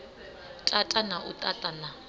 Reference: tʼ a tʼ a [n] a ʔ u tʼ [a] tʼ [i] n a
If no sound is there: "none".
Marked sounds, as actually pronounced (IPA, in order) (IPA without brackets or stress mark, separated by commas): n, a, a